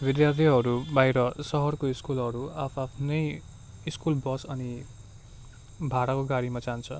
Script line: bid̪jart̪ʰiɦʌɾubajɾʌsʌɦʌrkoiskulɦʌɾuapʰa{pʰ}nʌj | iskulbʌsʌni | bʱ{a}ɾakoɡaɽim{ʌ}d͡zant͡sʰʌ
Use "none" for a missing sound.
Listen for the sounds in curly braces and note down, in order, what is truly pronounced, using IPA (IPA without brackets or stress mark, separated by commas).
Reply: pʰ, a, a